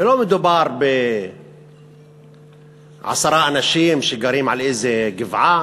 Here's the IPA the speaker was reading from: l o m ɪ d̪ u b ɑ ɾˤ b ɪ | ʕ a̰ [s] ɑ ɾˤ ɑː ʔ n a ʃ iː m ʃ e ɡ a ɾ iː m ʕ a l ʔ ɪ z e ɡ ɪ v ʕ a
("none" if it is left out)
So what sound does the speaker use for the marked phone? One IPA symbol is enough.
s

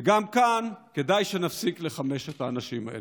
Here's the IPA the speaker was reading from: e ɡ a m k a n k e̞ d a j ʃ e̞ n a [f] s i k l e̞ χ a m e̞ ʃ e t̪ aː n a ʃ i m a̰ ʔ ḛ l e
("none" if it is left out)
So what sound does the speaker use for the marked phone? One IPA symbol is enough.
f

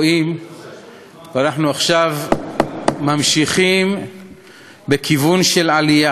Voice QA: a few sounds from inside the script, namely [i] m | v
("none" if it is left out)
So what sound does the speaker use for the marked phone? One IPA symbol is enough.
i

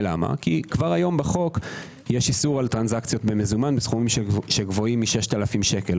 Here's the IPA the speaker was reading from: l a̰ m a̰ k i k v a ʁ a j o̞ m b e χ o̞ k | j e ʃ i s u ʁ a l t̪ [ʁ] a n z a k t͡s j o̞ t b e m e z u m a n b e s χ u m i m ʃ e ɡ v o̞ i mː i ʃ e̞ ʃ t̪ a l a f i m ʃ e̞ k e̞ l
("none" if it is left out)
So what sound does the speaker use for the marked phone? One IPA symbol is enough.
ʁ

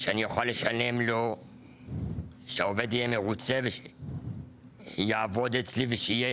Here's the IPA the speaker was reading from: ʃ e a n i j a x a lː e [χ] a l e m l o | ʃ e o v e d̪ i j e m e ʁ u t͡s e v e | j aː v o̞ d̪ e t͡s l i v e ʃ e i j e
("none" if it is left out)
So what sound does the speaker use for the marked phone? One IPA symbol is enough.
ʃ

